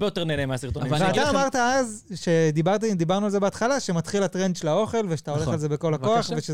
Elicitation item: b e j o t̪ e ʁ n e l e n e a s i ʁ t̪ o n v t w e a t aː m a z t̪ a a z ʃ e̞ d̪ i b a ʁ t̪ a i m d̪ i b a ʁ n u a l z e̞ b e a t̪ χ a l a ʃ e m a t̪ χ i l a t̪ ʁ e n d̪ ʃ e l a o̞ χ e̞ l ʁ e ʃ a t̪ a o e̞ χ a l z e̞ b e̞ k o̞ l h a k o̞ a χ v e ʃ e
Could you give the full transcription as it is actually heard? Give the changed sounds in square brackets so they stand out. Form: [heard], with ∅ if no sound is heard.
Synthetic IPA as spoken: b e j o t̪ e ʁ n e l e [m] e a s i ʁ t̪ o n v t [v] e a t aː m a [ʁ] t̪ a a z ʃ e̞ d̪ i b a ʁ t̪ a i m d̪ i b a ʁ n u a l z e̞ b e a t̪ χ a l a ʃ e m a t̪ χ i l a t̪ ʁ e n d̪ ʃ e l a o̞ χ e̞ l [v] e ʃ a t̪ a o e̞ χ a l z e̞ b e̞ k o̞ l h a k o̞ a χ v e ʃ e